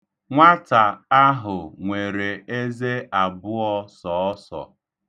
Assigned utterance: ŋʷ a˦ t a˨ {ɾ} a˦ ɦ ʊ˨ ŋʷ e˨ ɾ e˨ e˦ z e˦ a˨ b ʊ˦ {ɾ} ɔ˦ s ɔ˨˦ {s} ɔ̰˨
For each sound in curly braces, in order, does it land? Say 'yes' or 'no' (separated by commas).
no, no, yes